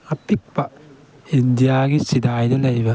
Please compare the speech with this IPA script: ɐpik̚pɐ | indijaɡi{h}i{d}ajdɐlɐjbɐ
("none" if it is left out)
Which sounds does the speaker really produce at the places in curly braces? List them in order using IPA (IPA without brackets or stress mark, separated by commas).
s, d